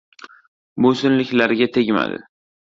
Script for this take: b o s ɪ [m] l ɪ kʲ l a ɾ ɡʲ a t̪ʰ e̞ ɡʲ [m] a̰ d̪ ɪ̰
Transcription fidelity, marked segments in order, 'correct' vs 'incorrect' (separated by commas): incorrect, correct